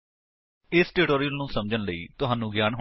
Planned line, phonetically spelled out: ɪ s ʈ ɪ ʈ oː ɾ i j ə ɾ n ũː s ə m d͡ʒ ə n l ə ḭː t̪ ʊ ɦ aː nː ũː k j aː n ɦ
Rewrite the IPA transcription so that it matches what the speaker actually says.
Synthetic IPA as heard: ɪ s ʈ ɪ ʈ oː ɾ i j ə l n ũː s ə m d͡ʒ ə n l ə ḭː t̪ ʊ ɦ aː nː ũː ɡ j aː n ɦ

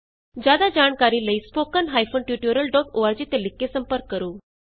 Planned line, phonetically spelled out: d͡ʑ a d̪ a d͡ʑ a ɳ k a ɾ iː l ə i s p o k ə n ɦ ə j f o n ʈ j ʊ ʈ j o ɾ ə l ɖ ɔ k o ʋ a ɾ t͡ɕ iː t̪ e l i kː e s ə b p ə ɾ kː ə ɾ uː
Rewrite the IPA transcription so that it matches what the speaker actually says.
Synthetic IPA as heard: d͡ʑ a d̪ a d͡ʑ a ɳ k a ɾ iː l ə i s p o k ə n ɦ a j f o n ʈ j u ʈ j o ɾ ə l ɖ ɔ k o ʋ a ɾ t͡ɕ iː t̪ e l i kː e s ə m p ə ɾ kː ə ɾ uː

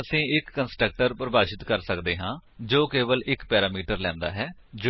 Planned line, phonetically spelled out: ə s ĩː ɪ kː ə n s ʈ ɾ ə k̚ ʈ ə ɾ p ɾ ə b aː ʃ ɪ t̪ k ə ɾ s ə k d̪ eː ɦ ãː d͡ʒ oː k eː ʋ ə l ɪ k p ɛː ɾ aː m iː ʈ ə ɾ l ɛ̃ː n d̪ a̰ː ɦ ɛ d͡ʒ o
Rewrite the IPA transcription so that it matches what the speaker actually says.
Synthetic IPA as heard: ə s ĩː ɪ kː ə n s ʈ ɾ ə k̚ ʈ ə ɾ p ɾ ə b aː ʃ ɪ t̪ k ə ɾ s ə k d̪ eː ɦ ãː d͡ʒ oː k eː ʋ ə l ɪ k p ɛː ɾ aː m iː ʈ ə ɾ l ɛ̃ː n d̪ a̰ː ɦ ɛː d͡ʒ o

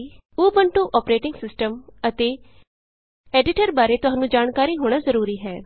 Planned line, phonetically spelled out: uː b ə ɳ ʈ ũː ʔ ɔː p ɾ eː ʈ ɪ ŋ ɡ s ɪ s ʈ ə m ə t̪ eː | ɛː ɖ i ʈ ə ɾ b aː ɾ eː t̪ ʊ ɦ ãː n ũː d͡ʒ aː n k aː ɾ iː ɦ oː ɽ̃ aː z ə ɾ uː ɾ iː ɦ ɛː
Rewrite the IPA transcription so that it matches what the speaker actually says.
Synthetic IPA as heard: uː b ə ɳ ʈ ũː ʔ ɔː p ɾ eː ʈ ɪ ŋ ɡ s ɪ s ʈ ə m ə t̪ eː | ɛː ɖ ɪ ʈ ə ɾ b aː ɾ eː t̪ ʊ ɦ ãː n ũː d͡ʒ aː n k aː ɾ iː ɦ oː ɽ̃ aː z ə ɾ uː ɾ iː ɦ ɛː

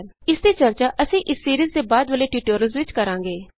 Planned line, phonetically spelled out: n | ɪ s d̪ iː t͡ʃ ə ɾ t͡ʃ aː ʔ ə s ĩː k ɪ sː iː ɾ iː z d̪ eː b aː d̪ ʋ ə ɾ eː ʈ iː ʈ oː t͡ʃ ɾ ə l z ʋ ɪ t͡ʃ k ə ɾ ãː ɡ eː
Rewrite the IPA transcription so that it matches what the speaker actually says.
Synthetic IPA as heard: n | ɪ s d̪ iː t͡ʃ ə ɾ t͡ʃ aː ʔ ə s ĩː ʔ ɪ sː iː ɾ iː z d̪ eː b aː d̪ ʋ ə l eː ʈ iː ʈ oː ɾ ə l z ʋ ɪ t͡ʃ k ə ɾ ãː ɡ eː

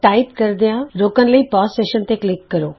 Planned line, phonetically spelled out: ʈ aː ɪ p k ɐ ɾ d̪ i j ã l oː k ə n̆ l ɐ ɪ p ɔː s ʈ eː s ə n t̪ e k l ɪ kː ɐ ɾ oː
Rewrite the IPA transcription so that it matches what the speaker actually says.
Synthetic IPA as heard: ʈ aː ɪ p k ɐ ɾ d̪ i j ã ɾ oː k ə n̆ l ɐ i p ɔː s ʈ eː ʃ ə n t̪ e k l ɪ kː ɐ ɾ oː

